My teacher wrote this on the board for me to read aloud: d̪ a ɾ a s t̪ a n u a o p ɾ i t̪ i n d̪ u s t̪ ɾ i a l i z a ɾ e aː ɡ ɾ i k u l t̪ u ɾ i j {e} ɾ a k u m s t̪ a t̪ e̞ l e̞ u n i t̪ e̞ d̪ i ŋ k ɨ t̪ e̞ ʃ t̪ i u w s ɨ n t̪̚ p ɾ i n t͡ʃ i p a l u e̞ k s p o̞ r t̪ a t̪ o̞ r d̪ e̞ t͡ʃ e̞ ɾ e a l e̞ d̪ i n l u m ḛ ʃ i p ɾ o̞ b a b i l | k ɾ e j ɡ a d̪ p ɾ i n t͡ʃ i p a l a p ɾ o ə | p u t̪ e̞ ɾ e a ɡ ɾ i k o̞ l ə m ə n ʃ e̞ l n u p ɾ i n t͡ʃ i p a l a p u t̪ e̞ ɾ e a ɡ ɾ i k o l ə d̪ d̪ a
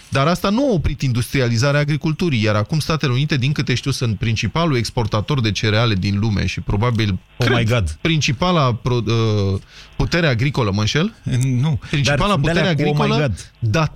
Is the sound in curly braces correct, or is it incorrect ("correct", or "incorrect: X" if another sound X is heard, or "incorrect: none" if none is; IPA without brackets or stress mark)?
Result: incorrect: a